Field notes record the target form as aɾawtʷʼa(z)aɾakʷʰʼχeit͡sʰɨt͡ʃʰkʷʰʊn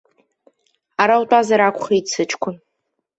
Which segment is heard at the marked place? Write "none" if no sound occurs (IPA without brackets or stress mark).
z